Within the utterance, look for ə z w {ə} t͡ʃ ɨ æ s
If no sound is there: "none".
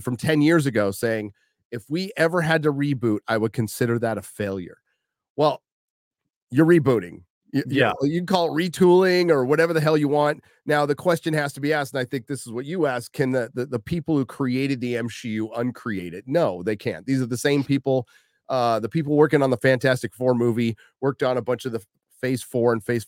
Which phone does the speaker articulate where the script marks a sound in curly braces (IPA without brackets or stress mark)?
ʌ